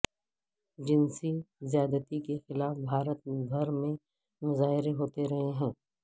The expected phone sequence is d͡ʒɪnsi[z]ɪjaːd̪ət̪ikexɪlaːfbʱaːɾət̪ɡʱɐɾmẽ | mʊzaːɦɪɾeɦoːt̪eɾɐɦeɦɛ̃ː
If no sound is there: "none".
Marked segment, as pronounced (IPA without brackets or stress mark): z